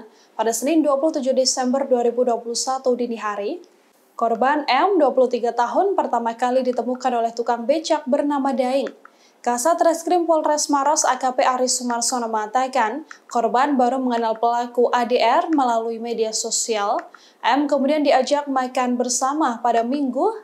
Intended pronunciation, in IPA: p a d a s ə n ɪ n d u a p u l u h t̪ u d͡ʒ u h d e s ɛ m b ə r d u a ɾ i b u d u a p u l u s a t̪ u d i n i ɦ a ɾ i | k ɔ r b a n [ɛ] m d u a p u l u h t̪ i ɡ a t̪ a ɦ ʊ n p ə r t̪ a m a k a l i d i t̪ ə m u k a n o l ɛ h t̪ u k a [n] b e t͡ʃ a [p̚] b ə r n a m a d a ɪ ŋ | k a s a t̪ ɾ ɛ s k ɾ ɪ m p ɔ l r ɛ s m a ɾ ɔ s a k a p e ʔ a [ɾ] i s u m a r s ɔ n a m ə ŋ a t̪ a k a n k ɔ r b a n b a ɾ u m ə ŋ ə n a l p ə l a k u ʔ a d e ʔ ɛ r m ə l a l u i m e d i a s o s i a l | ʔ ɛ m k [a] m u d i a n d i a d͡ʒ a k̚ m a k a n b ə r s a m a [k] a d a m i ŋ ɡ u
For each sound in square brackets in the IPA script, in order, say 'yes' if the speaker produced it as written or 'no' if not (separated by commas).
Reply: yes, no, no, yes, no, no